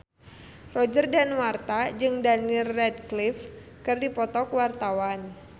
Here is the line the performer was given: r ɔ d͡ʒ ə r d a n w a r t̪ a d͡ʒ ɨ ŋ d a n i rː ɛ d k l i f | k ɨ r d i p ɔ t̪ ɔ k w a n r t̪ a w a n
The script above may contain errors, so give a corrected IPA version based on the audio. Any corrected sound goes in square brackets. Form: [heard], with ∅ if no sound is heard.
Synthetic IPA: r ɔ d͡ʒ ə r d a n w a r t̪ a d͡ʒ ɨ ŋ d a n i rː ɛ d k l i f | k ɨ r d i p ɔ t̪ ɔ k w a [∅] r t̪ a w a n